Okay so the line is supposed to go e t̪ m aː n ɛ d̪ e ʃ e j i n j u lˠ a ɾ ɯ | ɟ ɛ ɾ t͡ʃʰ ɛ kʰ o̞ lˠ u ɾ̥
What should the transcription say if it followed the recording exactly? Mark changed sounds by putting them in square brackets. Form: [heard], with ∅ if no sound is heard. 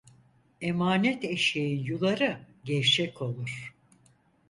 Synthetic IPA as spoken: e [∅] m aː n ɛ [t̪] e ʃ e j i n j u lˠ a ɾ ɯ | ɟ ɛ ɾ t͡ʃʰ ɛ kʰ o̞ lˠ u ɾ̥